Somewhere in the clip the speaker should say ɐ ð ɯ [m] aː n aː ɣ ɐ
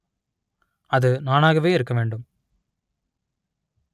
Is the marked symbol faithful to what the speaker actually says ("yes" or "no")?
no